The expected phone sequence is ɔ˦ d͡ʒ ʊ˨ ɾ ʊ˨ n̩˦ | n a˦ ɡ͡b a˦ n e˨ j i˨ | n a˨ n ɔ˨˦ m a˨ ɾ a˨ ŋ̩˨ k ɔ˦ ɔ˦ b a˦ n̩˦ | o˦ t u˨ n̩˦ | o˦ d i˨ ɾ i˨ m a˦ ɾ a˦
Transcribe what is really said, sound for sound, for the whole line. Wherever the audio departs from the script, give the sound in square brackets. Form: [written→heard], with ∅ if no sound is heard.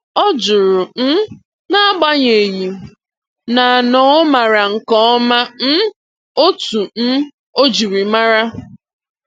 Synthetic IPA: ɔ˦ d͡ʒ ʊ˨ ɾ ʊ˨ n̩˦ | n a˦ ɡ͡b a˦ [n→ɲ] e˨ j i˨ | n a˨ n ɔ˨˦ m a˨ ɾ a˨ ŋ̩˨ k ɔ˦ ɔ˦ [b→m] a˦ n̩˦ | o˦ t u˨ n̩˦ | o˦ [d→d͡ʒ] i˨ ɾ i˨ m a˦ ɾ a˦